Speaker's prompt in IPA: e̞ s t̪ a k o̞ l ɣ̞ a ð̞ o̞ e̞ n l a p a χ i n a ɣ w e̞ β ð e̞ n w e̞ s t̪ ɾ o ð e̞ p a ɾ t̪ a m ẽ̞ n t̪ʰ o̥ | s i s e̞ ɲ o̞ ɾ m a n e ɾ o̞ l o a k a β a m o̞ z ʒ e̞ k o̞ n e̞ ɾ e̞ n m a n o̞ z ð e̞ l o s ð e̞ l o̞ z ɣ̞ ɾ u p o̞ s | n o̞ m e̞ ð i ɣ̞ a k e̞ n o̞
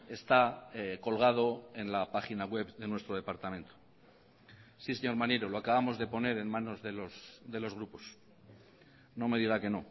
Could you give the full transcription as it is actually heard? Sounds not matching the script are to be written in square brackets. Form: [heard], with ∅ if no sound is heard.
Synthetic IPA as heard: e̞ s t̪ a k o̞ l ɣ̞ a ð̞ o̞ e̞ n l a p a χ i n a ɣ w e̞ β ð e̞ n w e̞ s t̪ ɾ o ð e̞ p a ɾ t̪ a m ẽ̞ n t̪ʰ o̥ | s i s e̞ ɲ o̞ ɾ m a n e ɾ o̞ l o a k a β a m o̞ z [ð] e̞ [p] o̞ n e̞ ɾ e̞ n m a n o̞ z ð e̞ l o s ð e̞ l o̞ z ɣ̞ ɾ u p o̞ s | n o̞ m e̞ ð i ɣ̞ a k e̞ n o̞